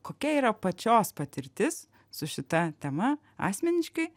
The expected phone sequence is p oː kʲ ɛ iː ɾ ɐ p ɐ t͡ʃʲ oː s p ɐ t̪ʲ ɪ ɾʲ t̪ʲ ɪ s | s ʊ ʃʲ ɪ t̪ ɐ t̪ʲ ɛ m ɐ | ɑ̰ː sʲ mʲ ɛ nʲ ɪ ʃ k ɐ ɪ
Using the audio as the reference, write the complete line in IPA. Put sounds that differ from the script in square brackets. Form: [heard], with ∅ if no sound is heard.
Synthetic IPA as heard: [k] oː kʲ ɛ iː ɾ ɐ p ɐ t͡ʃʲ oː s p ɐ t̪ʲ ɪ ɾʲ t̪ʲ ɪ s | s ʊ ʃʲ ɪ t̪ ɐ t̪ʲ ɛ m ɐ | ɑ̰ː sʲ mʲ ɛ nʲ ɪ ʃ k ɐ ɪ